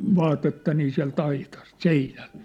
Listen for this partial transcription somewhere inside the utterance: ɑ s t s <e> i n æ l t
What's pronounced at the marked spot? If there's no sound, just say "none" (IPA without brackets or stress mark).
e